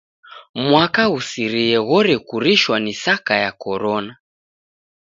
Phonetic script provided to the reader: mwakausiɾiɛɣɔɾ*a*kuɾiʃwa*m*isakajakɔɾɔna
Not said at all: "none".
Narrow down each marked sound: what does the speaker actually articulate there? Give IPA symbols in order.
ɛ, n

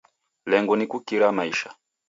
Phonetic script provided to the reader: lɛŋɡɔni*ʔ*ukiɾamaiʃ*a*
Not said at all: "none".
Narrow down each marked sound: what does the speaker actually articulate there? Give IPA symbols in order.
k, a

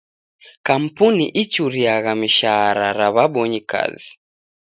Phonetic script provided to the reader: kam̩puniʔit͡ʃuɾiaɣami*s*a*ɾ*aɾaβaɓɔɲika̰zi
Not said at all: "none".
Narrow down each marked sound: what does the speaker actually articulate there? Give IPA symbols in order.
ʃ, ɾ

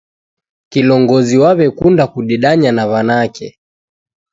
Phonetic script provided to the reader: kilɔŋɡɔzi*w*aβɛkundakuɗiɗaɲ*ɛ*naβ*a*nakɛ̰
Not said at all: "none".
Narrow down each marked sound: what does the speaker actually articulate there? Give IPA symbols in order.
w, a, a

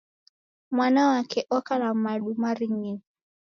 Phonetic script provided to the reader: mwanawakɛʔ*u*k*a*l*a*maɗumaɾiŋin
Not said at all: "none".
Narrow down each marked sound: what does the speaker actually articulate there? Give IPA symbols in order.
ɔ, a, a

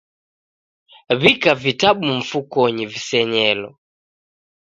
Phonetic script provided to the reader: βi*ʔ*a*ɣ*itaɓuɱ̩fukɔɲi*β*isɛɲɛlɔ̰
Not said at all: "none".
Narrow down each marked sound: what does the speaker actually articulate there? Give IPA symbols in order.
k, v, v

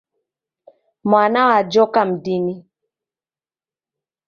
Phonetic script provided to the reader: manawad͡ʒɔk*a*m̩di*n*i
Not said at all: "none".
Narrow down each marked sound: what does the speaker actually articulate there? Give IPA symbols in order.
a, n

